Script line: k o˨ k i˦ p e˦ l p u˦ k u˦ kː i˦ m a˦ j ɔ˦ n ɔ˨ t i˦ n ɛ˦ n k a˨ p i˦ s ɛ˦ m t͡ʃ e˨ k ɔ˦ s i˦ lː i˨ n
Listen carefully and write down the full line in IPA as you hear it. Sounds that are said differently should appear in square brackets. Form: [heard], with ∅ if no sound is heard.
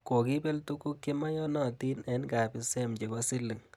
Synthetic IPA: k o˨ k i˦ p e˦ l [t] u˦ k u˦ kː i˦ m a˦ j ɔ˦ n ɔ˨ t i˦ n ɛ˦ n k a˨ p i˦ s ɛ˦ m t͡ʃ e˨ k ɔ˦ s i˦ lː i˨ [ŋ]